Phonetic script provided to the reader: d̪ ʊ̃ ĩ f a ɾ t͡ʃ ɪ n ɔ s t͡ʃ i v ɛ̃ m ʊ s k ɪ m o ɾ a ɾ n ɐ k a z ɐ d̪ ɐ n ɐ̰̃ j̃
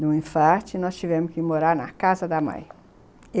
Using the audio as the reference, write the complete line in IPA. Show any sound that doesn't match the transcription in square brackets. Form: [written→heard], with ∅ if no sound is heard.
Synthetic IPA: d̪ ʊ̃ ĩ f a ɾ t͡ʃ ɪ n ɔ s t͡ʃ i v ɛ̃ m ʊ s k ɪ m o ɾ a ɾ n ɐ k a z ɐ d̪ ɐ [n→m] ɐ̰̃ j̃